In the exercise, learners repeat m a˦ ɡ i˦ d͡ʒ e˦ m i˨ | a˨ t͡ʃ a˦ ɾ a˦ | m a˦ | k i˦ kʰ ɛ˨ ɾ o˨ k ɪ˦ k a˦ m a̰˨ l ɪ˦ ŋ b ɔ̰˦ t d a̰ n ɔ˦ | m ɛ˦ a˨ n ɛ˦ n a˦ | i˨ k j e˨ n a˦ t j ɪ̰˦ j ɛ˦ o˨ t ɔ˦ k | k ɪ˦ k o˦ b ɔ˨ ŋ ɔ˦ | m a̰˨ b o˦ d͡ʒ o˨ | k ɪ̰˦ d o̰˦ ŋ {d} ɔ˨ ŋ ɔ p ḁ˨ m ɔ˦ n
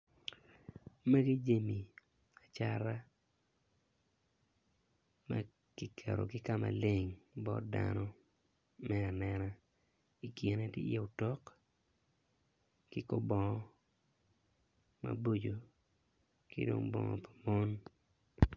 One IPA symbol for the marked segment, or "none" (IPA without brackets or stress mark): b